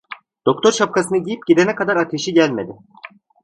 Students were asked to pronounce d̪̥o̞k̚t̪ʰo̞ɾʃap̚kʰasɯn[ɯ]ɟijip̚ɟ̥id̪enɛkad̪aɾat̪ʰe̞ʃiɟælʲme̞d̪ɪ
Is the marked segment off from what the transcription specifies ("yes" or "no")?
no